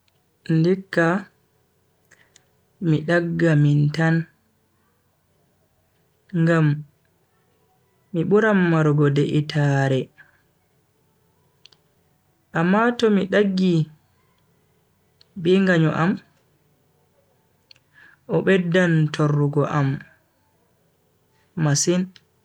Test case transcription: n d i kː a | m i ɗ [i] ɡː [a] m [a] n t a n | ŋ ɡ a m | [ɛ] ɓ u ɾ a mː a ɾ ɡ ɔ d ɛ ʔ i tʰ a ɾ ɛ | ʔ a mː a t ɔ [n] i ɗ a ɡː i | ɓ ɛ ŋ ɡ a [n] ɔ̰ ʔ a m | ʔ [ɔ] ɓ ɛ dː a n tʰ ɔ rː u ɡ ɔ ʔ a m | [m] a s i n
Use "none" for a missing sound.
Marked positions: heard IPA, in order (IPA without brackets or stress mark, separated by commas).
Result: a, a, i, i, m, ɲ, ɔ, m